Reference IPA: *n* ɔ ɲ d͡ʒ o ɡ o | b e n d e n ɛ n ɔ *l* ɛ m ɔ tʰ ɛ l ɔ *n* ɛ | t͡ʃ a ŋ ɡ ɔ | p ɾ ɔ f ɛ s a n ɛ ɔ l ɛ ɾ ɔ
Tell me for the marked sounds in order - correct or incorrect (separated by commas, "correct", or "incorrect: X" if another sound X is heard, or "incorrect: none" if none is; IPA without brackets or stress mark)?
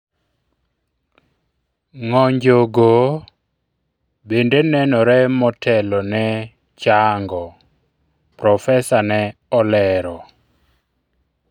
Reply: incorrect: ŋ, incorrect: ɾ, correct